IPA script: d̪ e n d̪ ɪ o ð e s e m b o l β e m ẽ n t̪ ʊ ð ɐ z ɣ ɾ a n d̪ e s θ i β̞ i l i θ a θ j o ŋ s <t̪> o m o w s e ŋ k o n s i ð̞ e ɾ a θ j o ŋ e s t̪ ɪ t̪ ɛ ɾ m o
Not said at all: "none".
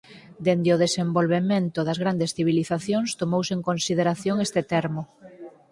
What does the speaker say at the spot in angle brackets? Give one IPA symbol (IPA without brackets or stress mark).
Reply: t̪